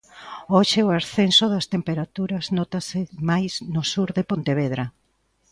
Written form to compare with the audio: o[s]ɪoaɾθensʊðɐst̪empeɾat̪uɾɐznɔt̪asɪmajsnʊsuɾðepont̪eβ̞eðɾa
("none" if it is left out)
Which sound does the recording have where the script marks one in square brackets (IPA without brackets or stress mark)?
ʃ